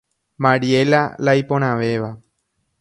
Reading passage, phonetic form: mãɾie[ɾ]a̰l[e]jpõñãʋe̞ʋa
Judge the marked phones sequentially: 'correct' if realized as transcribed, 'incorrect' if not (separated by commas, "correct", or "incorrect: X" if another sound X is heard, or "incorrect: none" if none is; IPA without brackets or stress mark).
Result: incorrect: l, incorrect: a